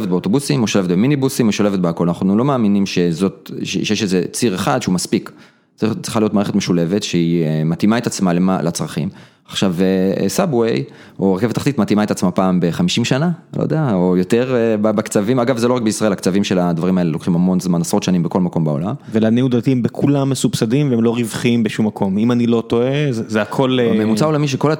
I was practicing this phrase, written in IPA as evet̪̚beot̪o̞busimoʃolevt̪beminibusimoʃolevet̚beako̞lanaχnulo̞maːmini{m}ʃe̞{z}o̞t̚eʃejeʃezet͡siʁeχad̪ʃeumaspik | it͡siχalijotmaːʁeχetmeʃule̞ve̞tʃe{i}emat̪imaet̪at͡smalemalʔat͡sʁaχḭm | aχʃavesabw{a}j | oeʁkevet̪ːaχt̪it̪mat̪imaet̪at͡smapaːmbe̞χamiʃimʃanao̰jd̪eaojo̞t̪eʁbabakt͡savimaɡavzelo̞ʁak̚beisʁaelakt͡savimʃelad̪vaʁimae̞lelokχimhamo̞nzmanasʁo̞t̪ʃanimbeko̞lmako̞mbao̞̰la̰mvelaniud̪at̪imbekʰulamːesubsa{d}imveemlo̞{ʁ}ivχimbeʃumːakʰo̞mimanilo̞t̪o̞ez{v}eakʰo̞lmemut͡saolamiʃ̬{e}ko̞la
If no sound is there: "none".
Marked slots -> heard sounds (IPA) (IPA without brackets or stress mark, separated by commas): m, z, i, e, d, ʁ, z, e